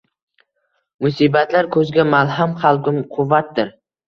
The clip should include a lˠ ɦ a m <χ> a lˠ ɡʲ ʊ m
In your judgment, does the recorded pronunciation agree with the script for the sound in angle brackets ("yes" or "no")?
yes